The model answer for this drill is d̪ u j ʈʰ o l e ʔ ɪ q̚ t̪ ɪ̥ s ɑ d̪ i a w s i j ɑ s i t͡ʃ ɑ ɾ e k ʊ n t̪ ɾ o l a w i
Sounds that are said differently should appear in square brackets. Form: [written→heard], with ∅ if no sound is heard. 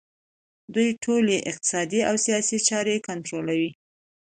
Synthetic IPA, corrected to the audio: d̪ u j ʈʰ o l e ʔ ɪ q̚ t̪ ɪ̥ s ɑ d̪ i a w s i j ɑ s i t͡ʃ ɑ ɾ e k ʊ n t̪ ɾ o l a w i